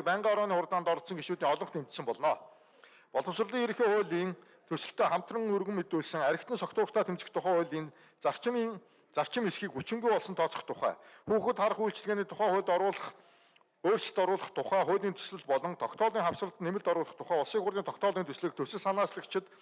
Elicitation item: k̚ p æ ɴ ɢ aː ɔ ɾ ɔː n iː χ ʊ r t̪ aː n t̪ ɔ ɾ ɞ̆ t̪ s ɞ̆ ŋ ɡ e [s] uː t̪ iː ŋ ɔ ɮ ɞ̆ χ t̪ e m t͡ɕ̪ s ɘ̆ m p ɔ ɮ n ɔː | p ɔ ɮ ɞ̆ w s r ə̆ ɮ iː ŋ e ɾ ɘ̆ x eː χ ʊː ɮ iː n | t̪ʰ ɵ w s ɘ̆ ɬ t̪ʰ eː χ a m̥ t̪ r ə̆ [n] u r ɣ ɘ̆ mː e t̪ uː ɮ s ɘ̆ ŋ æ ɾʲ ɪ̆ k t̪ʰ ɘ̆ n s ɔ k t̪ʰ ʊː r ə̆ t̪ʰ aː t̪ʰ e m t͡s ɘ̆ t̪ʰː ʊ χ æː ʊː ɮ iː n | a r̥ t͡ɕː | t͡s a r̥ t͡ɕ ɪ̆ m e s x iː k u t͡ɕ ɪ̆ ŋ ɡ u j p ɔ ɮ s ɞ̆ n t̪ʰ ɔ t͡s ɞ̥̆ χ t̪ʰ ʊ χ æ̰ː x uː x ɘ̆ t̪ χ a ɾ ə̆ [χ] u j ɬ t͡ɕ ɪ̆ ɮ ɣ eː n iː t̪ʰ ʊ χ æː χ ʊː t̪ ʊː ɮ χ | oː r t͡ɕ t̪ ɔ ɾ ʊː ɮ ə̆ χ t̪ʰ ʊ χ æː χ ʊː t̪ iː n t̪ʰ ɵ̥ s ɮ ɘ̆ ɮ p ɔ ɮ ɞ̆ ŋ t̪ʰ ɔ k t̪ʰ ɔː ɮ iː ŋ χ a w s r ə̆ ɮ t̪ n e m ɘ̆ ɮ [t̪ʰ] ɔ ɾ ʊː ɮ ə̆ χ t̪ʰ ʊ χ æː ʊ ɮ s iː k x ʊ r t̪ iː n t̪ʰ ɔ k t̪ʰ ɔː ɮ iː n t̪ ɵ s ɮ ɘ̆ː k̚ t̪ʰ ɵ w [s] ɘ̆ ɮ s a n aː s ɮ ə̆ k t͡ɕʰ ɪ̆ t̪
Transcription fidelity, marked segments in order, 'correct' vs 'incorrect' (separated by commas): incorrect, incorrect, correct, incorrect, correct